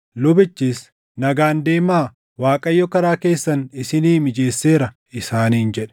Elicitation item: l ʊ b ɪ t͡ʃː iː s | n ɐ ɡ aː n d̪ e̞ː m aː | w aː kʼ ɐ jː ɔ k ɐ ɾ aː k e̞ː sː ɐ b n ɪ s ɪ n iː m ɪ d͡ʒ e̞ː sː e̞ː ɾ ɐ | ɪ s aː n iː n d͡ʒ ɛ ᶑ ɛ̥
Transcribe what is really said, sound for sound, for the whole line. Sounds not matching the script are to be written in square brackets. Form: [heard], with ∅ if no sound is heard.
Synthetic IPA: l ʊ b ɪ t͡ʃː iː s | n ɐ ɡ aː n d̪ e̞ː m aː | w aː kʼ ɐ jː ɔ k ɐ ɾ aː k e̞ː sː ɐ [∅] n ɪ s ɪ n iː m ɪ d͡ʒ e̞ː sː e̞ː ɾ ɐ | ɪ s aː n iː n d͡ʒ ɛ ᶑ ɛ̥